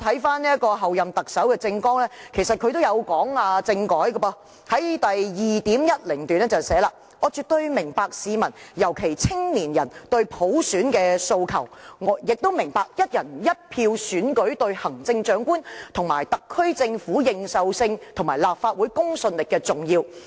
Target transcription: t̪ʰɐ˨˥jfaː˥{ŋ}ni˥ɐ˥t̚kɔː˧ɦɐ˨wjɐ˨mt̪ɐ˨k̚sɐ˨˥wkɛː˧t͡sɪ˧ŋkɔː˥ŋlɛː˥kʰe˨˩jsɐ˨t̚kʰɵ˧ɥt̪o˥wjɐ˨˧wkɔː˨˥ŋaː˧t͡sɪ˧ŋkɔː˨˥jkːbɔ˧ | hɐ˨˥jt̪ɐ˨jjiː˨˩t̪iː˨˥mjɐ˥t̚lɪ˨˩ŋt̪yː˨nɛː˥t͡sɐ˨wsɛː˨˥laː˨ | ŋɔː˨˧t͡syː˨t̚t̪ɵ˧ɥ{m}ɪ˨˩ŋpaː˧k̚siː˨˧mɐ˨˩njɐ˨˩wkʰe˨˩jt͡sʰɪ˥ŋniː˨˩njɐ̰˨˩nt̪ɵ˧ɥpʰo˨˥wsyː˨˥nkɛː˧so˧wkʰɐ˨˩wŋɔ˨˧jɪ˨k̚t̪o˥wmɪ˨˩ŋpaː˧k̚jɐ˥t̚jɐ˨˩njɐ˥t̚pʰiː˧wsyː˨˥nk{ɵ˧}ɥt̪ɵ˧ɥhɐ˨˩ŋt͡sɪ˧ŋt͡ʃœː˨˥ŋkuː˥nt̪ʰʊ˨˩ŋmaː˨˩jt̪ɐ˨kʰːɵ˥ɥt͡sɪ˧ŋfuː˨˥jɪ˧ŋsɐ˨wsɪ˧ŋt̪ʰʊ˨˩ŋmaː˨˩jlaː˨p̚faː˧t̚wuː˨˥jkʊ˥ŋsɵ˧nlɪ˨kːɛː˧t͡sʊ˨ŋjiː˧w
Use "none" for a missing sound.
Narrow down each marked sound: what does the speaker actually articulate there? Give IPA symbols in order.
n, m, ɵ˨˥

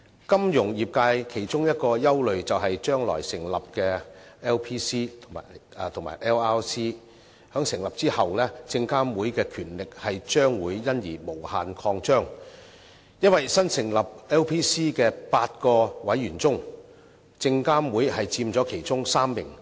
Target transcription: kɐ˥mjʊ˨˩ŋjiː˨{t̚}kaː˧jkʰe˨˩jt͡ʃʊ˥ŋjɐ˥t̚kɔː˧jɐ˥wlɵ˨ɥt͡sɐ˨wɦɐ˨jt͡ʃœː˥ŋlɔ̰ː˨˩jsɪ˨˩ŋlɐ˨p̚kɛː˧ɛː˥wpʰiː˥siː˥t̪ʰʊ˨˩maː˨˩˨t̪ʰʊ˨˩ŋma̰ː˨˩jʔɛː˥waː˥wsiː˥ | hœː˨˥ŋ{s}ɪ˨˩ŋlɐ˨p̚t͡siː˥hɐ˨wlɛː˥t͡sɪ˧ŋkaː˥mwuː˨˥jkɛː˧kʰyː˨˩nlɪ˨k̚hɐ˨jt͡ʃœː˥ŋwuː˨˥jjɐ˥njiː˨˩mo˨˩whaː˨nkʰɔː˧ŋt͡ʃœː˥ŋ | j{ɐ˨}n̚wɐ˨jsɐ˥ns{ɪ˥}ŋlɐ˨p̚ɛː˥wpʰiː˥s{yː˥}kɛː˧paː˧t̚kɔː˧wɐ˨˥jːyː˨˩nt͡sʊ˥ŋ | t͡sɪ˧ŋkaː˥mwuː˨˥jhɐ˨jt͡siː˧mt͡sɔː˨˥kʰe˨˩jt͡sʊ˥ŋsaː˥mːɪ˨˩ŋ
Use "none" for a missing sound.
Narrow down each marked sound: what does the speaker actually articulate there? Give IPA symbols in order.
p̚, s, ɐ˥, ɪ˨˩, iː˥

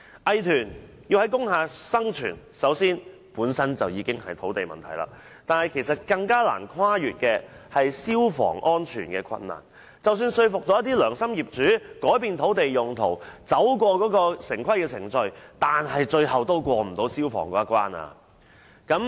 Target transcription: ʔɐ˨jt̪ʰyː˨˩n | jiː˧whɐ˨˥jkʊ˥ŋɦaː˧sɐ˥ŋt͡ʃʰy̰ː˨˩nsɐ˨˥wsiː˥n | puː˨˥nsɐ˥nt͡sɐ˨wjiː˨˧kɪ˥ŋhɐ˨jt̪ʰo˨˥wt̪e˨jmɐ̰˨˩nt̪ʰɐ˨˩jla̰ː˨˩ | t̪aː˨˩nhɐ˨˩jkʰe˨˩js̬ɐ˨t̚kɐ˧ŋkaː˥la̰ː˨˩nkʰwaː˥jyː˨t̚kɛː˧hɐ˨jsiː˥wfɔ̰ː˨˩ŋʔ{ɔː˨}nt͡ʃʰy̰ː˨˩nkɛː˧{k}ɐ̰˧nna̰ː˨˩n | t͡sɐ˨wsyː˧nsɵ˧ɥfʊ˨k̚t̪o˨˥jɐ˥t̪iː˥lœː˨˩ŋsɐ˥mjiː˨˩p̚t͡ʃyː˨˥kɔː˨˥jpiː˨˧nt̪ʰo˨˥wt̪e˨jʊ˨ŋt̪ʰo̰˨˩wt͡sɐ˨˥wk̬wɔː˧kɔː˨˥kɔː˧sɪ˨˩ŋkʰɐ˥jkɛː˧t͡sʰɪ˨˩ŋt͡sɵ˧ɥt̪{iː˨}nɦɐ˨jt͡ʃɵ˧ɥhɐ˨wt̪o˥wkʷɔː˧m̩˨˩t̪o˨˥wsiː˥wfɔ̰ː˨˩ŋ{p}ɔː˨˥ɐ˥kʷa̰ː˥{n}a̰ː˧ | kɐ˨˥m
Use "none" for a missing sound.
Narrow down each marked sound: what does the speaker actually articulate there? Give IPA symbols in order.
ɔː˥, kʰ, aː˨, k, n

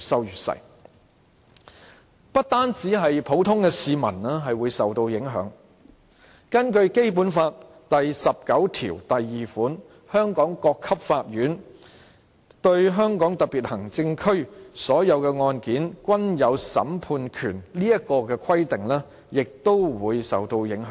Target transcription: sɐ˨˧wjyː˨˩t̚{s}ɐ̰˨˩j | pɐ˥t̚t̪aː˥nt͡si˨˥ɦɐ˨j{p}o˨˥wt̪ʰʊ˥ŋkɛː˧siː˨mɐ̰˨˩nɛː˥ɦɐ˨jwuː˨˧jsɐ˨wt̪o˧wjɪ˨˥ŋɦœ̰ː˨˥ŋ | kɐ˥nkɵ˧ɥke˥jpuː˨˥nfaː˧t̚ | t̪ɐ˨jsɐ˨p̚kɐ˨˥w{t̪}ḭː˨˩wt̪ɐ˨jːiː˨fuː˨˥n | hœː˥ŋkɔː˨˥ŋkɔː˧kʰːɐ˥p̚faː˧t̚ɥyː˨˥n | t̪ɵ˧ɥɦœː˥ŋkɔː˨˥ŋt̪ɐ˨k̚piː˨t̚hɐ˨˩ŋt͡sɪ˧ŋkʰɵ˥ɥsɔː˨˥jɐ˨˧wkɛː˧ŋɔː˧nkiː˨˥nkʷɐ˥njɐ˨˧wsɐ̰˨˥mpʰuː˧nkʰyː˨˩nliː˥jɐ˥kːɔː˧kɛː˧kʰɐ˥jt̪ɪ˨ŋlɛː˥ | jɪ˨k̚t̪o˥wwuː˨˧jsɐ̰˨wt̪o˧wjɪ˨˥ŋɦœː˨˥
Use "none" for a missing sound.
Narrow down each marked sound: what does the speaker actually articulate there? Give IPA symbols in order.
s, pʰ, t̪ʰ

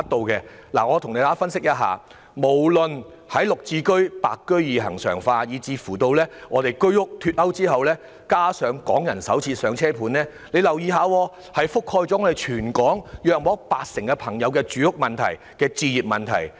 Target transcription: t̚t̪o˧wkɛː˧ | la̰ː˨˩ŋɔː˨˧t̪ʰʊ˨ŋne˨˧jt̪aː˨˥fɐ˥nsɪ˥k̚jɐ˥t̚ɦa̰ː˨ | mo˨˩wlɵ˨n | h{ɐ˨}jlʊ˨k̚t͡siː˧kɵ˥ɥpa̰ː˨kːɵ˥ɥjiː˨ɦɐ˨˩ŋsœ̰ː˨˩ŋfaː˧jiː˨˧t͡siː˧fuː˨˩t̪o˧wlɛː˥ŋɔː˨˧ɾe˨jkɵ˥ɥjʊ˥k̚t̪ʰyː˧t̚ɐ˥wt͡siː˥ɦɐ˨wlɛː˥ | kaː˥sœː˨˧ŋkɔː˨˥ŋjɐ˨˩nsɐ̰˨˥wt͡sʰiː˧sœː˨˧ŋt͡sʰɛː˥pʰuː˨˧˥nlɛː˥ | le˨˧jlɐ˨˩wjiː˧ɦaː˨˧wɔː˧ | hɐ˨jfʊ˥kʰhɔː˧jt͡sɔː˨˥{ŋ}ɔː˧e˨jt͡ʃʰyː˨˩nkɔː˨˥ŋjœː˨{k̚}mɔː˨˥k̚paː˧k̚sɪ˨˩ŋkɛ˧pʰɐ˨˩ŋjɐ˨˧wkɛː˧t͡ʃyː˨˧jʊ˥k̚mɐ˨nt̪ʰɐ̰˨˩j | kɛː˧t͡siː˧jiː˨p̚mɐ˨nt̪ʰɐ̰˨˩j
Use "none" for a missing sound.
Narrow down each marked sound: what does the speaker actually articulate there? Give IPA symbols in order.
ɐ˨˥, ŋ, k̚

